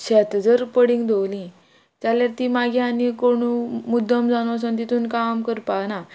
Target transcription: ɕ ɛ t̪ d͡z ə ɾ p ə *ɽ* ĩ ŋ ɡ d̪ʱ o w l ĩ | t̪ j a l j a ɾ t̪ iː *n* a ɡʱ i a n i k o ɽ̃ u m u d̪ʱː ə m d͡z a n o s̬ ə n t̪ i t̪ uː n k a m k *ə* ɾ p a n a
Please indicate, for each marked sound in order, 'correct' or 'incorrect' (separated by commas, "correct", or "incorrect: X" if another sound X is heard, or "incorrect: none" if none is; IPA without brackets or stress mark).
correct, incorrect: m, correct